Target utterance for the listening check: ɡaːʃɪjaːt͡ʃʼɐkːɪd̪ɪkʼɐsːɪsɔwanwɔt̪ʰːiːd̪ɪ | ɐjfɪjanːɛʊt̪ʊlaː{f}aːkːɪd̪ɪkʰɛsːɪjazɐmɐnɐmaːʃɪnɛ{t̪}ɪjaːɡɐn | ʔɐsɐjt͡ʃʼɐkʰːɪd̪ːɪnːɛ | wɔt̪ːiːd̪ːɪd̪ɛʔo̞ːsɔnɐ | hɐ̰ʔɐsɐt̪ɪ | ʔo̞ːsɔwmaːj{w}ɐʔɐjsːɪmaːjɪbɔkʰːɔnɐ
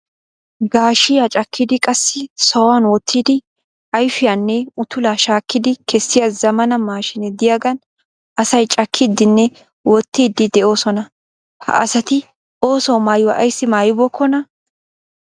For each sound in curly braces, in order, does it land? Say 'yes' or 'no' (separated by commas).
no, no, yes